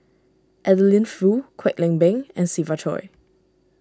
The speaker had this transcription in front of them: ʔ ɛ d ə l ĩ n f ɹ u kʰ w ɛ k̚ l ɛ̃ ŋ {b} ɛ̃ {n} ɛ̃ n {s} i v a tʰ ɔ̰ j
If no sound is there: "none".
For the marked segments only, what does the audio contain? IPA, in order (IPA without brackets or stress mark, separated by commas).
b, ŋ, s